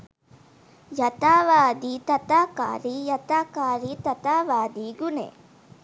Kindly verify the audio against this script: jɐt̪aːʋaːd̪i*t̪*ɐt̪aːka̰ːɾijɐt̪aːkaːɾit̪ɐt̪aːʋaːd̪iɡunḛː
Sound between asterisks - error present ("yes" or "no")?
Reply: no